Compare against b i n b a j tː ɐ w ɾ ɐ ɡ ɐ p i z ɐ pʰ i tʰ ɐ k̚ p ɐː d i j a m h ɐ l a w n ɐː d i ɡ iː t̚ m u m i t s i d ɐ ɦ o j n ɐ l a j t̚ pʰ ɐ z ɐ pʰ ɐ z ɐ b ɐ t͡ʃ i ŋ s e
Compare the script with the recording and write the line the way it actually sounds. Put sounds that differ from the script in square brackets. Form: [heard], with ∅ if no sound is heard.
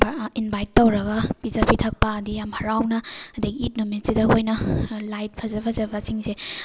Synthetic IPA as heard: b i n b a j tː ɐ w ɾ ɐ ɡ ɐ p i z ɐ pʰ i tʰ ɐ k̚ p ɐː d i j a m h ɐ [ɾ] a w n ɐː d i ɡ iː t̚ [n] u m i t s i d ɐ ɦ o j n ɐ l a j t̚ pʰ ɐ z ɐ pʰ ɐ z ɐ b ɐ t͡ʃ i ŋ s e